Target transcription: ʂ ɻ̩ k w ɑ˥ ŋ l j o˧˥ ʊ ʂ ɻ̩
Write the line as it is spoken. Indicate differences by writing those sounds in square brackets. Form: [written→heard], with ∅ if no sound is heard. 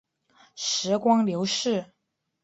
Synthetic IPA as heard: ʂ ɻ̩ k w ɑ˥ ŋ l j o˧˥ ʊ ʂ ɻ̩